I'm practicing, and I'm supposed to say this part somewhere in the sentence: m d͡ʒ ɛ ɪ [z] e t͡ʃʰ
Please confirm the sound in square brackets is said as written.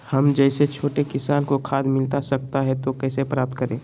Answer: no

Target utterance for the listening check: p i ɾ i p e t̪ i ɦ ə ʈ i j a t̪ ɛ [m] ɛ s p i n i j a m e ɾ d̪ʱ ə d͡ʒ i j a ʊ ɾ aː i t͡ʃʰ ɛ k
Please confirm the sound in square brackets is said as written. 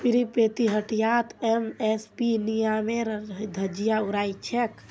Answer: yes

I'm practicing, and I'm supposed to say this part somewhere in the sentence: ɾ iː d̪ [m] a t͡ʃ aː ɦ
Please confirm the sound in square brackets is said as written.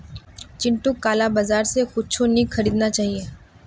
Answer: no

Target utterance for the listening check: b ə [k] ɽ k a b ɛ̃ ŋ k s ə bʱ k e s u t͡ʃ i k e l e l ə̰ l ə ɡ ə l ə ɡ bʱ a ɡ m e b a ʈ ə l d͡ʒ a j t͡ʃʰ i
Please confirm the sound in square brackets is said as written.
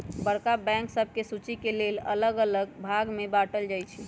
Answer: no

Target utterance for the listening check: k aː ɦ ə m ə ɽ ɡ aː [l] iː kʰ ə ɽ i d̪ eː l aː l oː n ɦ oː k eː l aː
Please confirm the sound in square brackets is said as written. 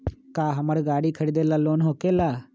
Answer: no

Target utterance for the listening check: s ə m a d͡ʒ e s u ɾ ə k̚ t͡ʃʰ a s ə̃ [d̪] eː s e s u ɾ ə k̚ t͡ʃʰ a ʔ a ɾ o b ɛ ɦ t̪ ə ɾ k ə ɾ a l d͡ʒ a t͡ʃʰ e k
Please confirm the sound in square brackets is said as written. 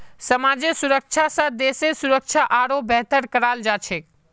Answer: yes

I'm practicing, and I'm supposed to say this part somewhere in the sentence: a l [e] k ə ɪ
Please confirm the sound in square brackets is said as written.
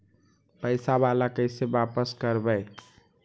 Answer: no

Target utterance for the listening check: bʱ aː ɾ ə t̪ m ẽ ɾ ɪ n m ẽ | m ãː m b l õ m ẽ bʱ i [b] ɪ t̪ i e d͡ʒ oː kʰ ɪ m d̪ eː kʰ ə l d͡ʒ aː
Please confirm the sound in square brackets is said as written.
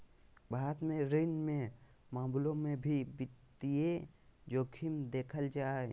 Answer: yes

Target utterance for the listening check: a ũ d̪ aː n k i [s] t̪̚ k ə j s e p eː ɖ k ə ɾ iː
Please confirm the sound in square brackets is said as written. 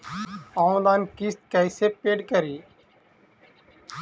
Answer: yes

